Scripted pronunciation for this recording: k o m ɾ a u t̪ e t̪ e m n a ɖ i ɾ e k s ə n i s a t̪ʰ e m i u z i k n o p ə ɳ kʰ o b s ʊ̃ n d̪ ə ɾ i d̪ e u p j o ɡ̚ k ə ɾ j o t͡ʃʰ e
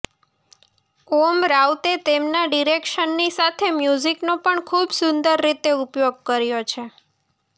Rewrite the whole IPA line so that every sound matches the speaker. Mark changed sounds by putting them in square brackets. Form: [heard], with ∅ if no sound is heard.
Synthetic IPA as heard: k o m ɾ a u t̪ e t̪ e m n a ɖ i ɾ e k [ʃ] ə [nː] i s a t̪ʰ e m [j] u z i k n o p ə ɳ kʰ [u] b s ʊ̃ n d̪ ə [ɾː] i [t̪] e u p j o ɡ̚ k ə ɾ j o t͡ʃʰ e

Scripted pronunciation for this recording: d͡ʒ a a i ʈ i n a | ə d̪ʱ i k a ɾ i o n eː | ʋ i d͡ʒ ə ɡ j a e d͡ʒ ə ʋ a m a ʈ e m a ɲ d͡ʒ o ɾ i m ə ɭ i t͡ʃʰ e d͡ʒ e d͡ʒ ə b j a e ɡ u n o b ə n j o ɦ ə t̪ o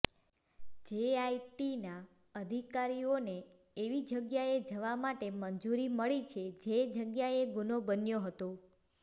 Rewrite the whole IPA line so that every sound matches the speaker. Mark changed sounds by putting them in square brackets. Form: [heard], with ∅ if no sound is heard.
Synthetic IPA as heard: d͡ʒ [e] a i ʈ i n a | ə d̪ʱ i k a ɾ i o n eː | ʋ i d͡ʒ ə ɡ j a e d͡ʒ ə ʋ a m a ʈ e m [ə] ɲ d͡ʒ [u] ɾ i m ə ɭ i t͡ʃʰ e d͡ʒ e d͡ʒ ə [ɡ] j a e ɡ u n o b ə n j o ɦ ə t̪ o

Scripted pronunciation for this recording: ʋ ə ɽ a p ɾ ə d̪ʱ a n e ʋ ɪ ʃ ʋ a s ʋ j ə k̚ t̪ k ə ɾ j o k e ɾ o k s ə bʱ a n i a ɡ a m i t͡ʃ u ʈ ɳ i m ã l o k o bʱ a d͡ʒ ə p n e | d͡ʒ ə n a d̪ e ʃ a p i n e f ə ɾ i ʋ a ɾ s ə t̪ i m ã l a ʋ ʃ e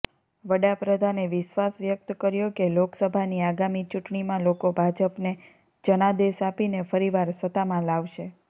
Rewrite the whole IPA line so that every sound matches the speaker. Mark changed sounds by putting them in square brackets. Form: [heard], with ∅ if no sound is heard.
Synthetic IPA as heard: ʋ ə ɽ a p ɾ ə d̪ʱ a n e ʋ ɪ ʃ ʋ a s ʋ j ə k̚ t̪ k ə ɾ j o k e [l] o k s ə bʱ a n i a ɡ a m i t͡ʃ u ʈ ɳ i m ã l o k o bʱ a d͡ʒ ə p n e | d͡ʒ ə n a d̪ e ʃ a p i n e f ə ɾ i ʋ a ɾ s ə t̪ [a] m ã l a ʋ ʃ e

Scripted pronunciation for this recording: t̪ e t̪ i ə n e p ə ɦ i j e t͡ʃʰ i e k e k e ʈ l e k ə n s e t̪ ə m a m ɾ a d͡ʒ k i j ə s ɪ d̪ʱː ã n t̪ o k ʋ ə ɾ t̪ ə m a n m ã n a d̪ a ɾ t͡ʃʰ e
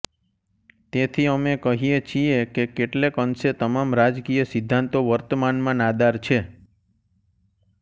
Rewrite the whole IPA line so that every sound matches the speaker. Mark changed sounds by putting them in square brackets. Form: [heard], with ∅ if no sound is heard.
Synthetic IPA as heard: t̪ e [t̪ʰ] i ə [m] e [k] ə ɦ i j e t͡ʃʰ i e k e k e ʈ l e k ə n s e t̪ ə m a m ɾ a d͡ʒ k i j ə s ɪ d̪ʱː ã n t̪ o [∅] ʋ ə ɾ t̪ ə m a n m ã n a d̪ a ɾ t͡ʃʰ e

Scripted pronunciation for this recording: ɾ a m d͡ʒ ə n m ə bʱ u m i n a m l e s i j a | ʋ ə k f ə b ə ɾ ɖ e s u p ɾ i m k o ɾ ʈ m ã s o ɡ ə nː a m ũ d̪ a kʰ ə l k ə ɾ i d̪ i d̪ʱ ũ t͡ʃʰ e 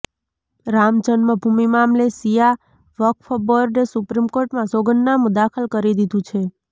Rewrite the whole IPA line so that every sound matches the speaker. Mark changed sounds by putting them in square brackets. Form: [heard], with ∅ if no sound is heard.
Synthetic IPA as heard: ɾ a m d͡ʒ ə n m ə bʱ u m i [m] a m l e s i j a | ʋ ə k f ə b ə ɾ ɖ e s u p ɾ i m k o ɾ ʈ m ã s o ɡ ə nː a m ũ d̪ a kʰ ə l k ə ɾ i d̪ i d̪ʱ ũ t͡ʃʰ e

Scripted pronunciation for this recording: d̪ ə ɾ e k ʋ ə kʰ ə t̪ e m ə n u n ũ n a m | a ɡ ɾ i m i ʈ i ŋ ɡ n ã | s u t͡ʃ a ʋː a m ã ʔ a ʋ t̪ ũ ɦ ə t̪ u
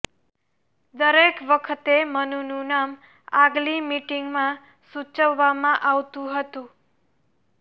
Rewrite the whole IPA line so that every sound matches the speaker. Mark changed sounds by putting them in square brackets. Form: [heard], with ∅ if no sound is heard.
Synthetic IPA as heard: d̪ ə ɾ e k ʋ ə kʰ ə t̪ e m ə n u n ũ n a m | a ɡ [l] i m i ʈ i ŋ ɡ [m] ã | s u t͡ʃ [ə] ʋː a m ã ʔ a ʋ t̪ ũ ɦ ə t̪ [ũ]

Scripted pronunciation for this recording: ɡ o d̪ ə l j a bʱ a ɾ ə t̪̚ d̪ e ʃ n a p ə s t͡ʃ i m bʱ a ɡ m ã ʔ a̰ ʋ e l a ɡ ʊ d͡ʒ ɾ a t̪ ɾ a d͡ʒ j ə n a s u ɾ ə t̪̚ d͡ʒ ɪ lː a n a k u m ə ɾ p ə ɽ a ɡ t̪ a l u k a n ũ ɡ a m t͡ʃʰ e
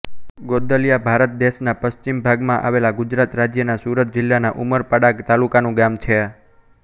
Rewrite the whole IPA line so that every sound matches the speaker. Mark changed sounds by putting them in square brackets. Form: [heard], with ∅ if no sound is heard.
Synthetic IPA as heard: ɡ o d̪ ə l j a bʱ a ɾ ə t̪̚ d̪ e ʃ n a p ə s t͡ʃ i m bʱ a ɡ m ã ʔ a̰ ʋ e l a ɡ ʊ d͡ʒ ɾ a t̪ ɾ a d͡ʒ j ə n a s u ɾ ə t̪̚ d͡ʒ ɪ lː a n a [ʔ] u m ə ɾ p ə ɽ a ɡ t̪ a l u k a n ũ ɡ a m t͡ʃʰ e

